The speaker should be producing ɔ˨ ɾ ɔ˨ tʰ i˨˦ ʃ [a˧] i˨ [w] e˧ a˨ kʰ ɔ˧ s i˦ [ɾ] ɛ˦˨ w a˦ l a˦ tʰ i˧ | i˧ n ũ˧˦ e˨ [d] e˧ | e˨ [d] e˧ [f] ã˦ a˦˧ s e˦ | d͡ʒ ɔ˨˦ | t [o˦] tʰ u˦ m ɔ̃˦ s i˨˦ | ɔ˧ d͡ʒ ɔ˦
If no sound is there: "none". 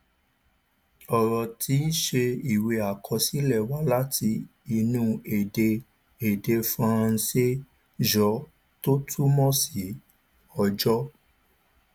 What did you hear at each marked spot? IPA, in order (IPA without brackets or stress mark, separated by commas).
e˧, w, l, d, d, f, o˦